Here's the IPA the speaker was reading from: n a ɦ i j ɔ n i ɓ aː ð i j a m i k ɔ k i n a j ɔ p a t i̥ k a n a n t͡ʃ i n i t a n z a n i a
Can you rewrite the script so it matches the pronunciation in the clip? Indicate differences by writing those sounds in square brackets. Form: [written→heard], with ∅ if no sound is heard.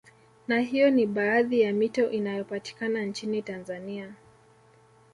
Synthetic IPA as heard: n a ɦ i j ɔ n i ɓ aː ð i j a m i [k→t] ɔ [k→ʔ] i n a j ɔ p a t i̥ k a n a n t͡ʃ i n i t a n z a n i a